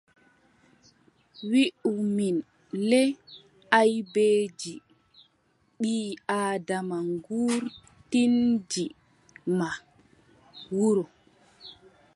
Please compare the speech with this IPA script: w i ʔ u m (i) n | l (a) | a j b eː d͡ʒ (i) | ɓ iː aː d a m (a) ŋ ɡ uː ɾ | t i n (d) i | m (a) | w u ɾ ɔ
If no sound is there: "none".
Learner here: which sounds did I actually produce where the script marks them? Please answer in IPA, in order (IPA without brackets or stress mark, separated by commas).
i, ɛ, i, a, d͡ʒ, a